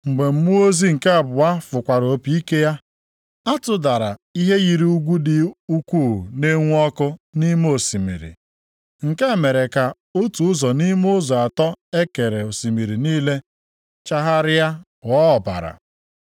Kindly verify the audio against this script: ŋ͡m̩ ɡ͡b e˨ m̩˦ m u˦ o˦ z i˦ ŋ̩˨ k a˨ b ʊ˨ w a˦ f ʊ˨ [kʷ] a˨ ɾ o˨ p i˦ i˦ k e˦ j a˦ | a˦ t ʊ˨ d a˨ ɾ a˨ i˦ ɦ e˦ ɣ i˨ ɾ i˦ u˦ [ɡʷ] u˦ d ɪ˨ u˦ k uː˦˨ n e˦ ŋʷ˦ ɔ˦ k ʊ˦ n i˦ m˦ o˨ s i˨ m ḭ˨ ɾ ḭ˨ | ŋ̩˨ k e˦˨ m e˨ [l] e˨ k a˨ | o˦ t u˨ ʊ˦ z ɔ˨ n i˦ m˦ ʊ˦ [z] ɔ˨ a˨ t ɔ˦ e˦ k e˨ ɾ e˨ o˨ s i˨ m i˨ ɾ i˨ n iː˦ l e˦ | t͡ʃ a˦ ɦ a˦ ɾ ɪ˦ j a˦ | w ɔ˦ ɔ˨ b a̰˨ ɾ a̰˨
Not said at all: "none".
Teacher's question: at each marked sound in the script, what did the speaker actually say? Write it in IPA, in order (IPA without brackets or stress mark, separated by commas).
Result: kʷ, ɡʷ, ɾ, z